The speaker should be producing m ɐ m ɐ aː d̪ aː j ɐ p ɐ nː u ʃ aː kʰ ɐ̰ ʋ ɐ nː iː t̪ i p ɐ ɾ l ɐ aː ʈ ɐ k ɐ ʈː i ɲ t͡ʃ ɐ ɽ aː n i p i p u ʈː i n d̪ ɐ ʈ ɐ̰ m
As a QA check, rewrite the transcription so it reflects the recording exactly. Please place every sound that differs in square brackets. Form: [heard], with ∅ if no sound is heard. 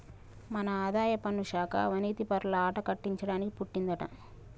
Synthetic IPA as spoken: m ɐ [n] ɐ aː d̪ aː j ɐ p ɐ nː u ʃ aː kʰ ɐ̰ ʋ ɐ [n] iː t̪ i p ɐ ɾ l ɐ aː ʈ ɐ k ɐ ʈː i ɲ t͡ʃ ɐ ɽ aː n i [k] i p u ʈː i n d̪ ɐ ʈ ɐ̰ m